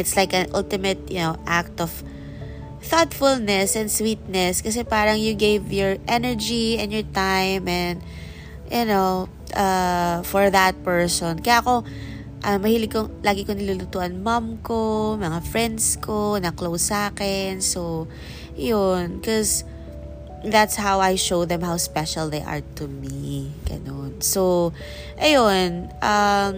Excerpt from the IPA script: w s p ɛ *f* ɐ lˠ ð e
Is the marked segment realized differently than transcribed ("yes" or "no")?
yes